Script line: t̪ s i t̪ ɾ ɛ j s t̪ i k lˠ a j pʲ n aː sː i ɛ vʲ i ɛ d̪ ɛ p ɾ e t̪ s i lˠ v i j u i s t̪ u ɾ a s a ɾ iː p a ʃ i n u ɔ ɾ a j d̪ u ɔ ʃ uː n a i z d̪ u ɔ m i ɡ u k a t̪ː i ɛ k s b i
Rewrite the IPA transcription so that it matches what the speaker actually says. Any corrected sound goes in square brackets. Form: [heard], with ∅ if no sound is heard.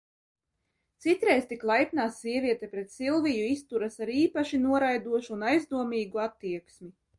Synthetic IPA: t̪ s i t̪ ɾ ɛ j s t̪ i k lˠ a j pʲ n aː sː i ɛ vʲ i ɛ [t̪] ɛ p ɾ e t̪ s i lˠ v i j u i s t̪ u ɾ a s a ɾ iː p a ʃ i n u ɔ ɾ a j d̪ u ɔ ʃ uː n a [j] z d̪ u ɔ m [iː] ɡ u [∅] a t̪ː i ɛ k s [m] i